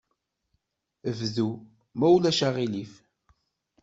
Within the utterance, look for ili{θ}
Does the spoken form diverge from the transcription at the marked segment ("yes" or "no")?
yes